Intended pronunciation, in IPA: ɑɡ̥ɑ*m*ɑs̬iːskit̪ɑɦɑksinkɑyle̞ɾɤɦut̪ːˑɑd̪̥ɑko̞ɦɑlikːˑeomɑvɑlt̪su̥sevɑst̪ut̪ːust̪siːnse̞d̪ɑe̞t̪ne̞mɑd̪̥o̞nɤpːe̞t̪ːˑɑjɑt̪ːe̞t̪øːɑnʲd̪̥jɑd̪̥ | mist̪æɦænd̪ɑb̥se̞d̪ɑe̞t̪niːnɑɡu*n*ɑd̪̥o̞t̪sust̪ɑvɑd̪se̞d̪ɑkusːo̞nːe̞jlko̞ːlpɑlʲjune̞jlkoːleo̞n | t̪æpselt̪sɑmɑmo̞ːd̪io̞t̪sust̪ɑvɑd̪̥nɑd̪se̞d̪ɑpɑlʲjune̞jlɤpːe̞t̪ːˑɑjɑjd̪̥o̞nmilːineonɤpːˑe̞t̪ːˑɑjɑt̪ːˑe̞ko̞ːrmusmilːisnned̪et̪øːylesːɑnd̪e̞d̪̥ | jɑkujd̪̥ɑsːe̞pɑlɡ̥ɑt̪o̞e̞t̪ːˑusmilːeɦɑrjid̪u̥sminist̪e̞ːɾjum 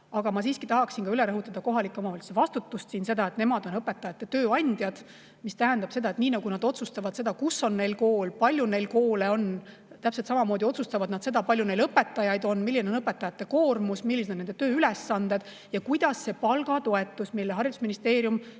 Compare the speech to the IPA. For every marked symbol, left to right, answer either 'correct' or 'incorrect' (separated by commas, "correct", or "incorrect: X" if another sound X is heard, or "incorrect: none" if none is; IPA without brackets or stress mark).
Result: correct, correct